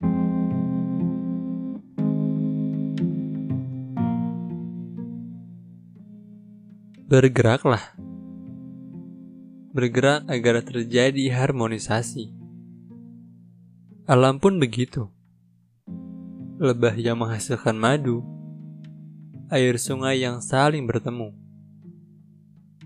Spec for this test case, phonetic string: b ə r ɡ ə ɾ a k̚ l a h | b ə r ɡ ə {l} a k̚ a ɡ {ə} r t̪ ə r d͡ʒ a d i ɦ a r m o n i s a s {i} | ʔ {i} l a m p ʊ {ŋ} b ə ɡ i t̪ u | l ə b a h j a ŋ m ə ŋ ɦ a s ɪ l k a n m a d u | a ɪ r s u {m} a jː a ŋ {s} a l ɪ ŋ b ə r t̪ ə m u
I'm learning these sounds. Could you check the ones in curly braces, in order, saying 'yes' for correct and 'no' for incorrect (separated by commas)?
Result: no, no, yes, no, no, no, yes